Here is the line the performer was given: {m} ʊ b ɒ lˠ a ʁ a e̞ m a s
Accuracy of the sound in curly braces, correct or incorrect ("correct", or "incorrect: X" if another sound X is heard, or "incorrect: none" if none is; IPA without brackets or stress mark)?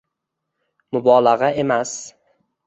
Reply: correct